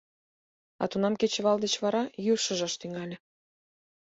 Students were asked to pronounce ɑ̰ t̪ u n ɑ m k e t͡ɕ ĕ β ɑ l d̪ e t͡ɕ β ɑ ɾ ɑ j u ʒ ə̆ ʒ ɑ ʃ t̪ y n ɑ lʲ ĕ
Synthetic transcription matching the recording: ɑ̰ t̪ u n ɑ m k e t͡ɕ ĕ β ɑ l d̪ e t͡ɕ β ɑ ɾ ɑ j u ʃ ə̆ ʒ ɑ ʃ t̪ y ŋ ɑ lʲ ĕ